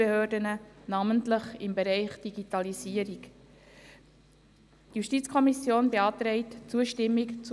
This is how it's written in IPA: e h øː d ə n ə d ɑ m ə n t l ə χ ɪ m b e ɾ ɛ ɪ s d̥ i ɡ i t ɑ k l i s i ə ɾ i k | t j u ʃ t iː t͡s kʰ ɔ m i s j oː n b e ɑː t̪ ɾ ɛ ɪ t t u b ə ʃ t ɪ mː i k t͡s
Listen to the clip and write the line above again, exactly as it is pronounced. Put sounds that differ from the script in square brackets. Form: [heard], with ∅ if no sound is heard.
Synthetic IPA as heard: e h øː d ə n ə [n] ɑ m ə n t l ə χ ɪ m b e ɾ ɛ ɪ [χ] d̥ i ɡ i t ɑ [∅] l i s i ə ɾ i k | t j u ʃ t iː t͡s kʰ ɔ m i s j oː n b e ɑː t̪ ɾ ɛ ɪ t [t͡s] u [∅] ə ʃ t ɪ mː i k t͡s